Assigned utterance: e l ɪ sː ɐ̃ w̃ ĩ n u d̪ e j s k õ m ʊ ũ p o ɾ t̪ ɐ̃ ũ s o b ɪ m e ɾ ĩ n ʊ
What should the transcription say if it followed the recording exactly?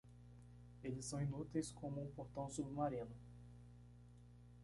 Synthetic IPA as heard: e l ɪ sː ɐ̃ w̃ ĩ n u t̪ e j s k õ m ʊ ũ p o ɾ t̪ ɐ̃ w̃ s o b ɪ m a ɾ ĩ n ʊ